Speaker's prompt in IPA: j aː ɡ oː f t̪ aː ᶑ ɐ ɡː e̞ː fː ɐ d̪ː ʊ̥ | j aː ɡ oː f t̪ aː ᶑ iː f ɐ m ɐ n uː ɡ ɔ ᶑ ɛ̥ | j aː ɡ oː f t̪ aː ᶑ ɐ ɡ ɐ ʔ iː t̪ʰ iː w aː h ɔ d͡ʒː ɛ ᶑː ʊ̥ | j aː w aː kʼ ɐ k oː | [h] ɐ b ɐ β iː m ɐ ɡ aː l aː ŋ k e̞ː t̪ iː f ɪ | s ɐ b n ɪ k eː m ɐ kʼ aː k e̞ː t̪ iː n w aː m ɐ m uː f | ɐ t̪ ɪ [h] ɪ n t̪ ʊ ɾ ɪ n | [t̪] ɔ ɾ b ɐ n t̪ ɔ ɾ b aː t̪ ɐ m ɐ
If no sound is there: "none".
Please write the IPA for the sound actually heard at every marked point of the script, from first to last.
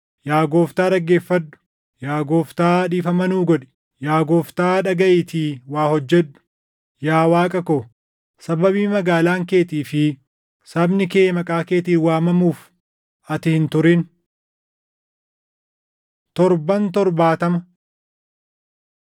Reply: s, h, t̪

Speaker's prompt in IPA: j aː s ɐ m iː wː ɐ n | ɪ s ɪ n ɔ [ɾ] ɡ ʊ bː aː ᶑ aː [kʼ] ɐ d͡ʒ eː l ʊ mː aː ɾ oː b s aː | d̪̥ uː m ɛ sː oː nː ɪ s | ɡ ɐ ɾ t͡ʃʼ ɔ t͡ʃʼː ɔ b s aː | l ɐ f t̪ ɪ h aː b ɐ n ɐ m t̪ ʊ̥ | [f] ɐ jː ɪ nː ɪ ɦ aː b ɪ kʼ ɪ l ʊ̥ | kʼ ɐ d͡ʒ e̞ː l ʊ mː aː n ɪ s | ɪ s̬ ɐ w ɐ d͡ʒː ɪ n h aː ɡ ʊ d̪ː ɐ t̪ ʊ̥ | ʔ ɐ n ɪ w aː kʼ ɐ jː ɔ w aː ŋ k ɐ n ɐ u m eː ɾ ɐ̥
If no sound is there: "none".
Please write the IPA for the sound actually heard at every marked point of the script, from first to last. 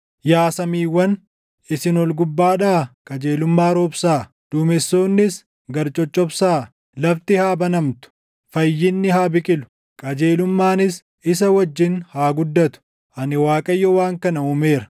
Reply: l, kʼ, f

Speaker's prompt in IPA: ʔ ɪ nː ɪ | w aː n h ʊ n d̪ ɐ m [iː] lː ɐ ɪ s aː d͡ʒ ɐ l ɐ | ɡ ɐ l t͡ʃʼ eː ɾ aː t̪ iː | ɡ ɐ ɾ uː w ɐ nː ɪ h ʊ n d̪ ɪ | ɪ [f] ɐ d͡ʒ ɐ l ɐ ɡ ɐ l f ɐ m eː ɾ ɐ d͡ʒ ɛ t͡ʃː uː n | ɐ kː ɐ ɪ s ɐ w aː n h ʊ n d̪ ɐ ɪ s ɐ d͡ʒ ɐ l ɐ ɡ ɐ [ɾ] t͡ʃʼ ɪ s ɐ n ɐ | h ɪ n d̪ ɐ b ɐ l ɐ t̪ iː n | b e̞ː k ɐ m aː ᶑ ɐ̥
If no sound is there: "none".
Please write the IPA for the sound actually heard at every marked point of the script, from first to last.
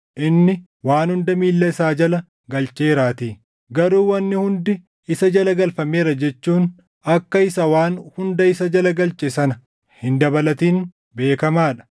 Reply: iː, s, l

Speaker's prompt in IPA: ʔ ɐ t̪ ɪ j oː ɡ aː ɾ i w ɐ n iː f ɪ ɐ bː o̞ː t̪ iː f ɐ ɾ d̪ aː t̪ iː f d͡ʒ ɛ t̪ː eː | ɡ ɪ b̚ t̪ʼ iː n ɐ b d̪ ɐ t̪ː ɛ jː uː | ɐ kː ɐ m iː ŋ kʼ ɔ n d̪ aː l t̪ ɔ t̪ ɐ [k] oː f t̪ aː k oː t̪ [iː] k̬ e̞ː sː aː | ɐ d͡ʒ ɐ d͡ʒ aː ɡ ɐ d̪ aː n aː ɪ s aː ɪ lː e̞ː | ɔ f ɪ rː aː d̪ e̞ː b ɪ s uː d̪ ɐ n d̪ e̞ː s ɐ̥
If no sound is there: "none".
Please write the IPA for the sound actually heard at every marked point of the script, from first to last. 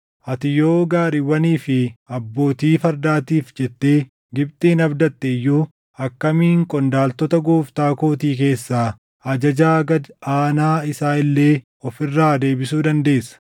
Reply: ɡ, iː

